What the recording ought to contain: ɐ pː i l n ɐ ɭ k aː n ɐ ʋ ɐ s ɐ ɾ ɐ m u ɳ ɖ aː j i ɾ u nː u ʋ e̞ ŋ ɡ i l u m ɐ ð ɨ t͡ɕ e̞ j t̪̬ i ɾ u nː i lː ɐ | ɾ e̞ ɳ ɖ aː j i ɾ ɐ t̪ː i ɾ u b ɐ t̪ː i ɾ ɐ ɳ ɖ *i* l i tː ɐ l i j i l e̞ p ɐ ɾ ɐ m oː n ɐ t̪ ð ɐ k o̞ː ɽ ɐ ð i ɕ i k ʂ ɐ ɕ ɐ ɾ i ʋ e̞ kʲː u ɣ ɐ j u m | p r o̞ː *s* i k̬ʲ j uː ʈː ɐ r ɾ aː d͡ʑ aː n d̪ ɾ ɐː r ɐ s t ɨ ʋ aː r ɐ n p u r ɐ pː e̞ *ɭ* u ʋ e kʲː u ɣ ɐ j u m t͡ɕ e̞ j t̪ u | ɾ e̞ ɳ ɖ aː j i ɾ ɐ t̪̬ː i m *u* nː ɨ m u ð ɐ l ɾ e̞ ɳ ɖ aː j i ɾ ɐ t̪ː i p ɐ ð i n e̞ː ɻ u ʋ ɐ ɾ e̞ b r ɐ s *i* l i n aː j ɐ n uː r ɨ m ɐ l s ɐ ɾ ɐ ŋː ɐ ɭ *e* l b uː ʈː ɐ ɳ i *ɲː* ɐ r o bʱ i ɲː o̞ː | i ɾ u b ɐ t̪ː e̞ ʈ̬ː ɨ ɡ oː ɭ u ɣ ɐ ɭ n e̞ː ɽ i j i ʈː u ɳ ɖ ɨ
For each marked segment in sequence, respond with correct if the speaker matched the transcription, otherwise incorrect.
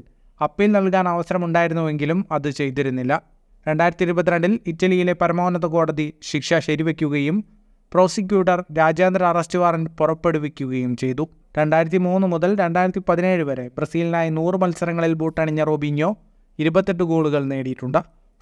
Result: correct, correct, incorrect, incorrect, incorrect, incorrect, correct

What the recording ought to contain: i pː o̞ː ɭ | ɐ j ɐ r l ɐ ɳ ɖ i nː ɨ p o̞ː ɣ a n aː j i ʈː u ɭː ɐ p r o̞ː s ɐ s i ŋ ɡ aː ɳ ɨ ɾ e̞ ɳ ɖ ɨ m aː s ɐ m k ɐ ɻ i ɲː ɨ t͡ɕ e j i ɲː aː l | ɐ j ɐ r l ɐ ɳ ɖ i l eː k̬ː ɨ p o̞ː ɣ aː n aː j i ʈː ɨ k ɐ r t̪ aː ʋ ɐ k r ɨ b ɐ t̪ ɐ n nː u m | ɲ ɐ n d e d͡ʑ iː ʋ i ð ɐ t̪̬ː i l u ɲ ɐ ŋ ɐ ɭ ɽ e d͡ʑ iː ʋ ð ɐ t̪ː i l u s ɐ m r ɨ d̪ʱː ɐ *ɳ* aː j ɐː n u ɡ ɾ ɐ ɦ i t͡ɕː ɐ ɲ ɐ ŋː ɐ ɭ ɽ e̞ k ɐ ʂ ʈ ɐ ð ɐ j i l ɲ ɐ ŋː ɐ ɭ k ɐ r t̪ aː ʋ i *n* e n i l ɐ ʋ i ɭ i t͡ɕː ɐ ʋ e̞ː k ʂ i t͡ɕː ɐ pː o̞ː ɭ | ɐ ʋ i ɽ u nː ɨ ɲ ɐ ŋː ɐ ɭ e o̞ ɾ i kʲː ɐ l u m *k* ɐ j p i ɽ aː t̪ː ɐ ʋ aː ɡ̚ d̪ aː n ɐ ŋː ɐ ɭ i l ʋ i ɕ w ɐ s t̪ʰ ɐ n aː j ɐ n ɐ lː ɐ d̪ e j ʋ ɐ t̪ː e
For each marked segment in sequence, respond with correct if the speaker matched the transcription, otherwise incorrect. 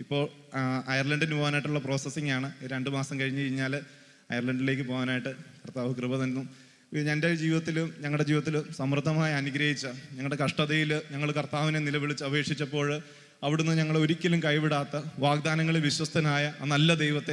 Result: incorrect, correct, correct

